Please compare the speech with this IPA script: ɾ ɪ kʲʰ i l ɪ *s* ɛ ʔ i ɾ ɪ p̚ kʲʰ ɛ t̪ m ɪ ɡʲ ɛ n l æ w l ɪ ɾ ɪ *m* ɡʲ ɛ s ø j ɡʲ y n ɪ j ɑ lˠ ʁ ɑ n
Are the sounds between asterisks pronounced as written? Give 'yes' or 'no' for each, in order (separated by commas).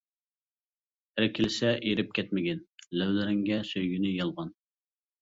yes, no